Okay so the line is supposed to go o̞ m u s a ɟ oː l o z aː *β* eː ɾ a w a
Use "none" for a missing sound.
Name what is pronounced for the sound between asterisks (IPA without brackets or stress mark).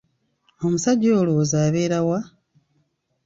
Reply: β